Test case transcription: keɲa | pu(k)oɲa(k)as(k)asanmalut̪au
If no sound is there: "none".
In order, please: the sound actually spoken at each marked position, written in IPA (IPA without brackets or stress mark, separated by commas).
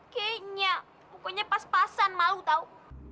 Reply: k, p, p